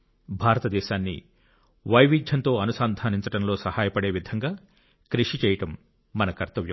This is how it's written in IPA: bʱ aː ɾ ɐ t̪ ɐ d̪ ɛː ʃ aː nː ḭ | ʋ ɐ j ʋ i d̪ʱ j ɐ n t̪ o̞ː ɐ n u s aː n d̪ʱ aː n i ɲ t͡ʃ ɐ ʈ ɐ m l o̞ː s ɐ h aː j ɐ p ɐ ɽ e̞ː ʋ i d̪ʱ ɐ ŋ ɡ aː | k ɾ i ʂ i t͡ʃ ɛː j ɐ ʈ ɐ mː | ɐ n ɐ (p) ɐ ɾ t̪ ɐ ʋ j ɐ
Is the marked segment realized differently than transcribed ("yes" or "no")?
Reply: yes